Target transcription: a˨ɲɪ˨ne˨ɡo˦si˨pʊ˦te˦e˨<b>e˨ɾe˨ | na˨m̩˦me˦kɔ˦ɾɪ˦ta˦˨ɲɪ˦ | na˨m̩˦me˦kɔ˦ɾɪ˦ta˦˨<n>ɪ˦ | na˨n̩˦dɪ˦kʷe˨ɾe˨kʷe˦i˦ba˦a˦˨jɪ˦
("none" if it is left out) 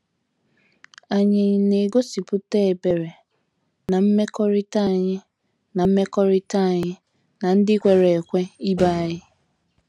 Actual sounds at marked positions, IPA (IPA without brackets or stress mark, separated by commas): b, ɲ